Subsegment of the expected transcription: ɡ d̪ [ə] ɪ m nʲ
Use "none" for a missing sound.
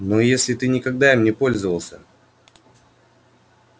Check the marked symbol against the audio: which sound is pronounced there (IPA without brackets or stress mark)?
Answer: a